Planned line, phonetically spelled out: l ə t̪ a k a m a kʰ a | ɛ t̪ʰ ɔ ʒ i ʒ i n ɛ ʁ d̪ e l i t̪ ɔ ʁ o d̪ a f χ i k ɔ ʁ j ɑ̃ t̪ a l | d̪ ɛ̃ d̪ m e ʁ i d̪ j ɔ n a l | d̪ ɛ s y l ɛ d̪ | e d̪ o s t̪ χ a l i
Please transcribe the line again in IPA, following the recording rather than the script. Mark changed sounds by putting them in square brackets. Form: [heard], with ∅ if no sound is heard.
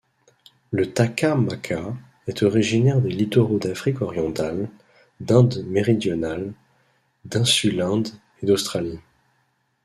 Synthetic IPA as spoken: l ə t̪ a k a m a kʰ a | ɛ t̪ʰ ɔ [ʁ] i ʒ i n ɛ ʁ d̪ e l i t̪ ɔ ʁ o d̪ a f χ i k ɔ ʁ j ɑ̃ t̪ a l | d̪ ɛ̃ d̪ m e ʁ i d̪ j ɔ n a l | d̪ [ɛ̃] s y l [ɛ̃] d̪ | e d̪ o s t̪ χ a l i